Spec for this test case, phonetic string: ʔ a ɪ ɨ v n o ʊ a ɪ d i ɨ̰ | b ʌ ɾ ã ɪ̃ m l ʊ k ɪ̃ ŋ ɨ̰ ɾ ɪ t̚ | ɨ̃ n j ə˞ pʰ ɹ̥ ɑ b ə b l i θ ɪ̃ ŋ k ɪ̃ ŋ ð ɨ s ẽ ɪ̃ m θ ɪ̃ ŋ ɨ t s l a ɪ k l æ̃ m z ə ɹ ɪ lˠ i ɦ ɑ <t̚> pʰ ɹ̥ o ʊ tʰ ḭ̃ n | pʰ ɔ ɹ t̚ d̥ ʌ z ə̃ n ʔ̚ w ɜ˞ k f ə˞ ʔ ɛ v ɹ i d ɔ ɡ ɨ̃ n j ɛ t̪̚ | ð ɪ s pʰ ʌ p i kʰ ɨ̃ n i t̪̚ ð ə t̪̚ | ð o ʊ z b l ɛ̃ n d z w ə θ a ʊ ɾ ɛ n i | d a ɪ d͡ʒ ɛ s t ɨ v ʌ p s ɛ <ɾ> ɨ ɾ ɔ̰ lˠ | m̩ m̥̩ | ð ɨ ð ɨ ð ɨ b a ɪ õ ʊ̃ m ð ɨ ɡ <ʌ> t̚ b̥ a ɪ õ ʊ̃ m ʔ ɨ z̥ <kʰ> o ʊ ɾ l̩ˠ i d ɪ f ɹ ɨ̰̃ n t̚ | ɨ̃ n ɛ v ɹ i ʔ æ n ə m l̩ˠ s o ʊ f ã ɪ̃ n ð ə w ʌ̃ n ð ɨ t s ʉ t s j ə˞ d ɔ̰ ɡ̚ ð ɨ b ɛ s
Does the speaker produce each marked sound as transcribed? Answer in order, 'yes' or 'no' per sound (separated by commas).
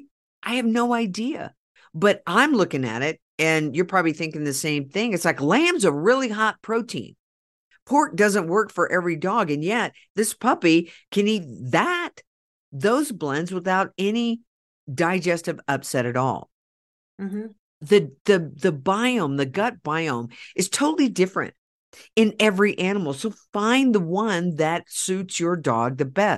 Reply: yes, yes, yes, no